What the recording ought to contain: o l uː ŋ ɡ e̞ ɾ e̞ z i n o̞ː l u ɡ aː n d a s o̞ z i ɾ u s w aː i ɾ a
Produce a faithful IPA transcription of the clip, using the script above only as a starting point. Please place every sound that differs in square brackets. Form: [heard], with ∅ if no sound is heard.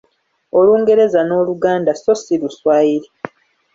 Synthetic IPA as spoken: o l uː ŋ ɡ e̞ ɾ e̞ z [a] n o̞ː l u ɡ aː n d a s o̞ [s] i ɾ u s w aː i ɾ [i]